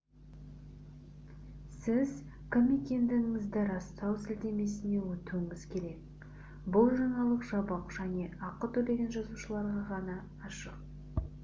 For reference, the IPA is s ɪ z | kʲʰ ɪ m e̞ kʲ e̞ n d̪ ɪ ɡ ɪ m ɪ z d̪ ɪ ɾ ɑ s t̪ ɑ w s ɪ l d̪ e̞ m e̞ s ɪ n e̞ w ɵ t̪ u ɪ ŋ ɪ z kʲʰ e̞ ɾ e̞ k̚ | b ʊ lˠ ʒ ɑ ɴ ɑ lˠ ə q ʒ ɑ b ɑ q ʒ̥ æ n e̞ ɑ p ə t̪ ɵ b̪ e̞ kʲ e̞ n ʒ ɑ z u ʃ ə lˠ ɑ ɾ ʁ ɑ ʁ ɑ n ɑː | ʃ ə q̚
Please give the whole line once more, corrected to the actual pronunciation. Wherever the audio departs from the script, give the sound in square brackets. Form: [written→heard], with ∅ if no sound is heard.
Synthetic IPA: s ɪ z | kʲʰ ɪ m e̞ kʲ e̞ n d̪ ɪ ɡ ɪ [m→ŋ] ɪ z d̪ ɪ ɾ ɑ s t̪ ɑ w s ɪ l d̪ e̞ m e̞ s ɪ n e̞ w ɵ t̪ u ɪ ŋ ɪ z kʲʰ e̞ ɾ e̞ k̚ | b ʊ lˠ ʒ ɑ ɴ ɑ lˠ ə q ʒ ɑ b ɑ q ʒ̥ æ n e̞ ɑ [p→q] ə t̪ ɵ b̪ e̞ [kʲ→ɡʲ] e̞ n ʒ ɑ z u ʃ ə lˠ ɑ ɾ ʁ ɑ ʁ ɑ n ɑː | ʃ ə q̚